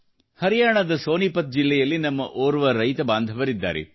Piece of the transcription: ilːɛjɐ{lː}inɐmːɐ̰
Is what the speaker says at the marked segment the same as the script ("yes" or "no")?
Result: yes